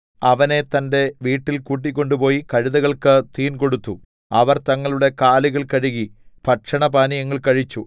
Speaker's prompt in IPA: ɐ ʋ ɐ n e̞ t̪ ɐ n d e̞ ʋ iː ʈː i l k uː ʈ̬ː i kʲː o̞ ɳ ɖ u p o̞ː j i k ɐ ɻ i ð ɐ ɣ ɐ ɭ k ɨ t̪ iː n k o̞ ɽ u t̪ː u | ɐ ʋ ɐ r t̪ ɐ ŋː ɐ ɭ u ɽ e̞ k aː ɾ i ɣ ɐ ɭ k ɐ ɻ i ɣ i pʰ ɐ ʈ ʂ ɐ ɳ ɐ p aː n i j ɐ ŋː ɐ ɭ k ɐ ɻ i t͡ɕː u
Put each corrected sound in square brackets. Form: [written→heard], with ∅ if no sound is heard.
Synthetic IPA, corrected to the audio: ɐ ʋ ɐ n e̞ t̪ ɐ n d e̞ ʋ iː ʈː i l k uː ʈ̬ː i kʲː o̞ ɳ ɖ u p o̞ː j i k ɐ ɻ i ð ɐ ɣ ɐ ɭ k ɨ t̪ iː n k o̞ ɽ u t̪ː u | ɐ ʋ ɐ r t̪ ɐ ŋː ɐ ɭ u ɽ e̞ k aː [ɾ→l] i ɣ ɐ ɭ k ɐ ɻ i ɣ i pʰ ɐ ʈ ʂ ɐ ɳ ɐ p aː n i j ɐ ŋː ɐ ɭ k ɐ ɻ i t͡ɕː u